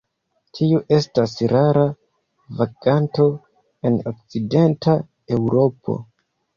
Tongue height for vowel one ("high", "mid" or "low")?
high